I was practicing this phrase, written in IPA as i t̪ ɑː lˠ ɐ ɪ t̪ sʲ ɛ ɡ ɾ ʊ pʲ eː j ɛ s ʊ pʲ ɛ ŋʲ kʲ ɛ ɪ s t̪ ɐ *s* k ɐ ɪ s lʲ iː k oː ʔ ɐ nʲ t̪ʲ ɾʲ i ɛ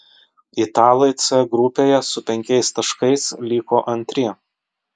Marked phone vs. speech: incorrect: ʃ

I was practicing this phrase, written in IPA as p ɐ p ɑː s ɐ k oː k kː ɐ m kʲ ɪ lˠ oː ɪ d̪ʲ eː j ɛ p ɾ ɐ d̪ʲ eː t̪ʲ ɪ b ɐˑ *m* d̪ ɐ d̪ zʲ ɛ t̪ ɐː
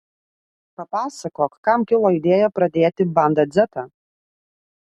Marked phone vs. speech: incorrect: n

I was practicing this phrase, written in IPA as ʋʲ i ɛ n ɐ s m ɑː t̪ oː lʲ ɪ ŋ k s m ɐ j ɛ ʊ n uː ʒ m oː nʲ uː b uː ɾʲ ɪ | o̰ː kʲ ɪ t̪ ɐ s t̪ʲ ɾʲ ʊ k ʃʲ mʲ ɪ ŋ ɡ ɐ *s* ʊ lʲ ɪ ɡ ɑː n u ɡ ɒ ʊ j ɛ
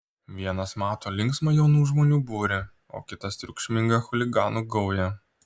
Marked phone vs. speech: incorrect: x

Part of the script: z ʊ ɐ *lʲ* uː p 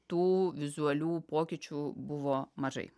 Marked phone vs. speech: correct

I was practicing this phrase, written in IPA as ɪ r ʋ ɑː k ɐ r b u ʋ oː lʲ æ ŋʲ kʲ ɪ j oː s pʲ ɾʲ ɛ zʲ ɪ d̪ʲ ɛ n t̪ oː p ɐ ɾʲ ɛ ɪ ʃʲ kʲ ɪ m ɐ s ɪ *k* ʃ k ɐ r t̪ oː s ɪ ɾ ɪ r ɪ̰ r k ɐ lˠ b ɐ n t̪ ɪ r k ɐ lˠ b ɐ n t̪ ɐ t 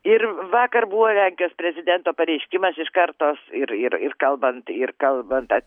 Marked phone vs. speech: incorrect: none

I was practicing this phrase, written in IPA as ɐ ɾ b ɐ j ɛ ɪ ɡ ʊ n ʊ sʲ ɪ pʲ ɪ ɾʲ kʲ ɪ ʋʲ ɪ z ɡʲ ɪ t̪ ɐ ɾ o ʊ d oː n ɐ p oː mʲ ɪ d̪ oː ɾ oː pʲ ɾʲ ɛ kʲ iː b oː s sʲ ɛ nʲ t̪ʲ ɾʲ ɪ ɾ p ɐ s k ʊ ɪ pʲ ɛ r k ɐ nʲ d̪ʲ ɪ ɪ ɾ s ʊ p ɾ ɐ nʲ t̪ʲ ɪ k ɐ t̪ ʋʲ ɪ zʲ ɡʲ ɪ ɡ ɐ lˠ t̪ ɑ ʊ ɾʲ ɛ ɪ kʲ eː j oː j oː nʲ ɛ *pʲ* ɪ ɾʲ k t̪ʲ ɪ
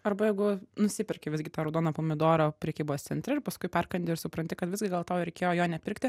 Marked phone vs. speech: correct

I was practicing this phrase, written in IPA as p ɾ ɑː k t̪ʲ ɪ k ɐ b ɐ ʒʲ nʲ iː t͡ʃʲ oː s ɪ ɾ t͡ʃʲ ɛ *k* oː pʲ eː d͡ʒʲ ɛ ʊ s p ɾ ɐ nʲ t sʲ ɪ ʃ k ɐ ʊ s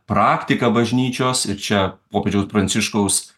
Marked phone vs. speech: incorrect: p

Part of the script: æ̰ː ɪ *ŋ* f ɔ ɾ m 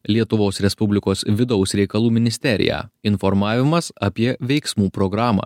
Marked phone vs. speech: incorrect: n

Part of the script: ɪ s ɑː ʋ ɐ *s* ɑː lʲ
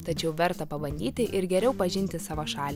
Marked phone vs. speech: incorrect: ʃ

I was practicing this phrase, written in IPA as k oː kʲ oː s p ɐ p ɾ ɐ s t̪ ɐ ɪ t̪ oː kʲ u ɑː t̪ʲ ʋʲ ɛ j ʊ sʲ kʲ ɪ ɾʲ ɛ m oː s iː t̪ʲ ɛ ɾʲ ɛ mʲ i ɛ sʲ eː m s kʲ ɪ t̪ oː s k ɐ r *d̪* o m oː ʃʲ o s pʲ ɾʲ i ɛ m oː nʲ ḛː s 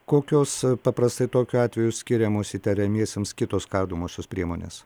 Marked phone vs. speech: correct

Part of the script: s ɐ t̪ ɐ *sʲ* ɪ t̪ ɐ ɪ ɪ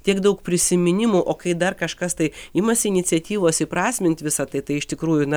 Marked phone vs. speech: incorrect: none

